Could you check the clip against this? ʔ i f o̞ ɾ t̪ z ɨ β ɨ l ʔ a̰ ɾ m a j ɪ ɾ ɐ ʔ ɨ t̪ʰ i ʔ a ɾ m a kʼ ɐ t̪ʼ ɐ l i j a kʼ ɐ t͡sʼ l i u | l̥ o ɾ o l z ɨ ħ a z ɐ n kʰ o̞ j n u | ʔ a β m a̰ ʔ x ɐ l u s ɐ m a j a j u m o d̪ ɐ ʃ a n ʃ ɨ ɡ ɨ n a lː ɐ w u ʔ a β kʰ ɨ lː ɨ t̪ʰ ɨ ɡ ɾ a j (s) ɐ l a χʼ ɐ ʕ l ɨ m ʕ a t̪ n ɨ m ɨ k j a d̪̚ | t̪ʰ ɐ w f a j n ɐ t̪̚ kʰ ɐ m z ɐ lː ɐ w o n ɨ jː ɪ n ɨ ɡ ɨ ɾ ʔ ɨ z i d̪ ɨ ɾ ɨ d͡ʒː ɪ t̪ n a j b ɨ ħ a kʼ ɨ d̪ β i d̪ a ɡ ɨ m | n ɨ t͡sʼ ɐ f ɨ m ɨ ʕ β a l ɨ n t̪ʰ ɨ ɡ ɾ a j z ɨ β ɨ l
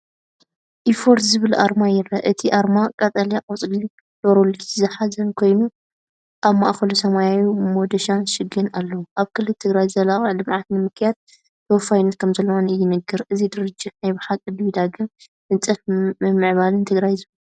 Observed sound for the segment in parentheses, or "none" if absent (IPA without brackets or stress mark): z